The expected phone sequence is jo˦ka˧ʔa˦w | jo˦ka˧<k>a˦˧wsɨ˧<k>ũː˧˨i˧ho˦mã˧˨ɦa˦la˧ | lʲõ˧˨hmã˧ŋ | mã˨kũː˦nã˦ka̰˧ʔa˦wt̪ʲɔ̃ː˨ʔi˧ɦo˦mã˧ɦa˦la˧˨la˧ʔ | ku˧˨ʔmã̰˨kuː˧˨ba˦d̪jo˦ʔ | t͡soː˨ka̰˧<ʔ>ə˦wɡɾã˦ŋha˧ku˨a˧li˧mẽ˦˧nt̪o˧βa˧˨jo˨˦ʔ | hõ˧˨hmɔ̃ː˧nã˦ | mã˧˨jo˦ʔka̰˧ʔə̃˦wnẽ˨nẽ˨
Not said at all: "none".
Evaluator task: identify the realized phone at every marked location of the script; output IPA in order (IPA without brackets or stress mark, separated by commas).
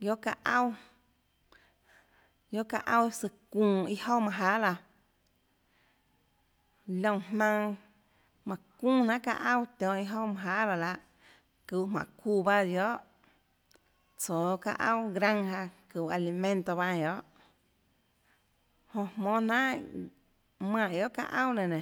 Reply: ʔ, k, ʔ